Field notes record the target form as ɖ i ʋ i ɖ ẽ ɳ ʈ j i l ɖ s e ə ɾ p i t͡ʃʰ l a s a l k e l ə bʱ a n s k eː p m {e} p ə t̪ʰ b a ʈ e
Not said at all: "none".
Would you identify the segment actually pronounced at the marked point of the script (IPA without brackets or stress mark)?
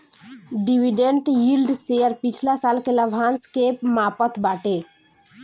a